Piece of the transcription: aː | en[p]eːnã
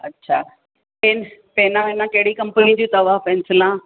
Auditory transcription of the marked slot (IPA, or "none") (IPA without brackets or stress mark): p